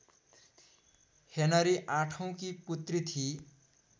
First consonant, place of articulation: glottal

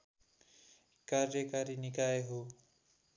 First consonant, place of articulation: velar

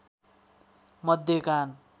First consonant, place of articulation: labial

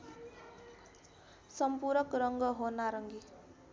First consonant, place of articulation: alveolar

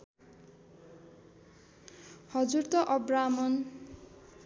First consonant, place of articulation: glottal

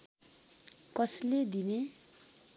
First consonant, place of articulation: velar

